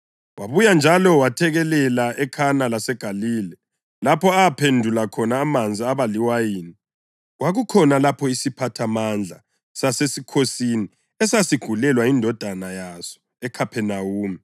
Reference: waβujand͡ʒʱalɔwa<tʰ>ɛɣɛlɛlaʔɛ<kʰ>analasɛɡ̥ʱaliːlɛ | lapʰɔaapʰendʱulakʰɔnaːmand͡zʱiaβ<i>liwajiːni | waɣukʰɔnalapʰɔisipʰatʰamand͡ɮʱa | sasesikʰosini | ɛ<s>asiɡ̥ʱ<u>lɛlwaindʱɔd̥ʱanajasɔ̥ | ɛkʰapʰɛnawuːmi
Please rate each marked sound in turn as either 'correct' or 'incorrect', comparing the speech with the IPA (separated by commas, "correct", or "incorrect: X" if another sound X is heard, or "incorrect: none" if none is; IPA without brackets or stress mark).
correct, correct, incorrect: a, correct, correct